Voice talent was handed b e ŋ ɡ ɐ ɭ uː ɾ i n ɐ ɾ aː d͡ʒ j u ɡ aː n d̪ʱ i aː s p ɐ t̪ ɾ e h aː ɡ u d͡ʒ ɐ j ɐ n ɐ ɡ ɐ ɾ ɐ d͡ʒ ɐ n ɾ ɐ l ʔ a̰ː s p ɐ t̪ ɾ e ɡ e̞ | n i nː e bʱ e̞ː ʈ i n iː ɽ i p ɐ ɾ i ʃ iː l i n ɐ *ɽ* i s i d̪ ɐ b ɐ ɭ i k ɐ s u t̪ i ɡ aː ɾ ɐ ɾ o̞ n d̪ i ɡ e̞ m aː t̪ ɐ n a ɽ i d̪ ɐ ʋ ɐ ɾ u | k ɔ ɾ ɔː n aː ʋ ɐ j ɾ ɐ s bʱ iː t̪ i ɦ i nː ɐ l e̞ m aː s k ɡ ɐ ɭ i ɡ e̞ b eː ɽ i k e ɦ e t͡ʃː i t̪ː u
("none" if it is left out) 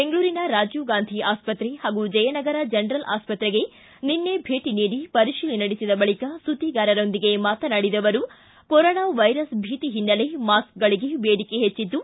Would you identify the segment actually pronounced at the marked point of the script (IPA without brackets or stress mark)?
ɽ